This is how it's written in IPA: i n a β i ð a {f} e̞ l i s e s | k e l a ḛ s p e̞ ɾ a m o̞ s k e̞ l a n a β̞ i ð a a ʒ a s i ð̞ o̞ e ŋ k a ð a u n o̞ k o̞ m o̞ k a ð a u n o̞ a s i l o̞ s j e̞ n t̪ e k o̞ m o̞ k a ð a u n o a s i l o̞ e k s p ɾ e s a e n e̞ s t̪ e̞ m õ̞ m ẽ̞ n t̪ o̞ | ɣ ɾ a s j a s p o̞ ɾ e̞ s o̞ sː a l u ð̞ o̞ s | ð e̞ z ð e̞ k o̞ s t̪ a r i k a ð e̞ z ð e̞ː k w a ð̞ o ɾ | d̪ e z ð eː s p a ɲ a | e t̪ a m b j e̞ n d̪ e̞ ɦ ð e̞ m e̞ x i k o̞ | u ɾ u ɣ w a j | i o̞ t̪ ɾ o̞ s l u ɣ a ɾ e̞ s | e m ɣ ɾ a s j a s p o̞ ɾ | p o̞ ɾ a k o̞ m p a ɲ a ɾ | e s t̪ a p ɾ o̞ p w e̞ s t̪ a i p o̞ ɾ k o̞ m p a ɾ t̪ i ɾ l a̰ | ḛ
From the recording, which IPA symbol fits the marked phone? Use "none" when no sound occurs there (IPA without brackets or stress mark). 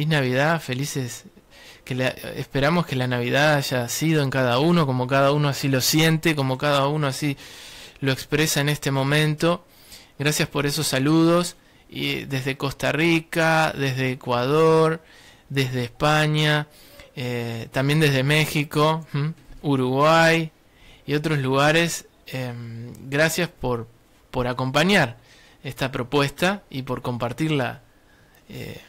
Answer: f